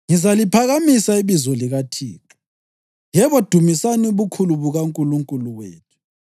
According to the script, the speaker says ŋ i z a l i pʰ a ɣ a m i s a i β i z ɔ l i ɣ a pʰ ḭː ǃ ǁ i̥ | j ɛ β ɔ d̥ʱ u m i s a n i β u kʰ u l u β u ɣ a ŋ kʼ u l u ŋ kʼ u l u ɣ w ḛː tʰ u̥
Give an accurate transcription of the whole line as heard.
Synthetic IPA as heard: ŋ i z a l i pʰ a ɣ a m i s a i β i z ɔ l i ɣ a tʰ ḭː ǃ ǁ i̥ | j ɛ β ɔ d̥ʱ u m i s a n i β u kʰ u l u β u ɣ a ŋ kʼ u l u ŋ kʼ u l u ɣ w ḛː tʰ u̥